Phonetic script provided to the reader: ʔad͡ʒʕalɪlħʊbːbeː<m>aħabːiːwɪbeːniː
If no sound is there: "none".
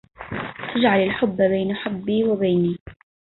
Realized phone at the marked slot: n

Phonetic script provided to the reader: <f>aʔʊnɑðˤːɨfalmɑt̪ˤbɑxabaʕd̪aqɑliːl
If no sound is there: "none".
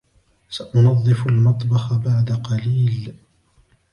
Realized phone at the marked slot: s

